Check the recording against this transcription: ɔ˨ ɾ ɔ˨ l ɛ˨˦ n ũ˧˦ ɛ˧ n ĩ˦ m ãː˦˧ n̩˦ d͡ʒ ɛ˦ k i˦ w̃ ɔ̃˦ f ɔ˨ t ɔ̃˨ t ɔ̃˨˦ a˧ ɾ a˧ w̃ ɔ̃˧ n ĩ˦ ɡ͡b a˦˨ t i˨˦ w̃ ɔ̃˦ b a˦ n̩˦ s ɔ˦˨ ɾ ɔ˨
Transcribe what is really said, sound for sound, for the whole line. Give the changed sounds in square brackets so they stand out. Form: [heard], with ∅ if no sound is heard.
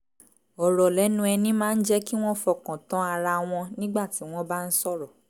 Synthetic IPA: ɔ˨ ɾ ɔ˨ l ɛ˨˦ n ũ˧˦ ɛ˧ n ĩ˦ m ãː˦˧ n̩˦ d͡ʒ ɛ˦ k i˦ w̃ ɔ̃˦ f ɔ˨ [k] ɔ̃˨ t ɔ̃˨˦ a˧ ɾ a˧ w̃ ɔ̃˧ n ĩ˦ ɡ͡b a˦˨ t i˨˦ w̃ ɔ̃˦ b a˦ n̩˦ s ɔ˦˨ ɾ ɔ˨